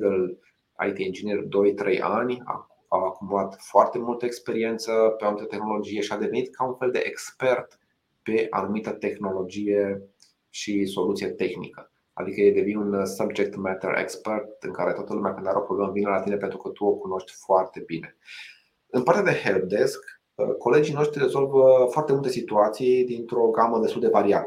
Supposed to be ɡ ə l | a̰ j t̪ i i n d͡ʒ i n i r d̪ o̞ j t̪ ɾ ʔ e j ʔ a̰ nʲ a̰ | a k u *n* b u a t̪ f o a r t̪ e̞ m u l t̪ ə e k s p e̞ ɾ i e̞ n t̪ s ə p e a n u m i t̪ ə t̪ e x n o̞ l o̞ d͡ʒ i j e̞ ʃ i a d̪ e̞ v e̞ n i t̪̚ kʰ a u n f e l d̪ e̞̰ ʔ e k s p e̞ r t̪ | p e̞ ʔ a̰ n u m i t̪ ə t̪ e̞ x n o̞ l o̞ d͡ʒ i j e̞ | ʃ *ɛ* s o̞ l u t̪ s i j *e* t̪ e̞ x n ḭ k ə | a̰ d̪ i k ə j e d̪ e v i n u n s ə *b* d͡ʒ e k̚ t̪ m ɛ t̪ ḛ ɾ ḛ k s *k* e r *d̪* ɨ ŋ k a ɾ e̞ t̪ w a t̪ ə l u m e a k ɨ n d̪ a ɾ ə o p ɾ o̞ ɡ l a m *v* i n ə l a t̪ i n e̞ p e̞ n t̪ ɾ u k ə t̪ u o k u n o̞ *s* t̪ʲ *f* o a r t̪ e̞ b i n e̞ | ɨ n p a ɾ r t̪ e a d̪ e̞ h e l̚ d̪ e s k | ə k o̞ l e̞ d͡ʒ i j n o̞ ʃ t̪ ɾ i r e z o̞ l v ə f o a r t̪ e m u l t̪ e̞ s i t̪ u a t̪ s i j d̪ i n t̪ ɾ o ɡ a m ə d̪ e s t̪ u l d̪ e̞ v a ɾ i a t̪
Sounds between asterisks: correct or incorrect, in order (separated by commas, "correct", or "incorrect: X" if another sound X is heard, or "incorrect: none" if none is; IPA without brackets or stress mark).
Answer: incorrect: m, incorrect: i, correct, correct, incorrect: p, incorrect: t̪, correct, incorrect: ʃ, correct